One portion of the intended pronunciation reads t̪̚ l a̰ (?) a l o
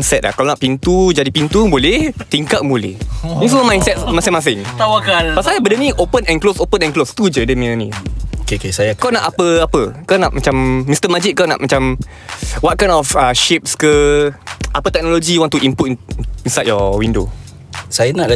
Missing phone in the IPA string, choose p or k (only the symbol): k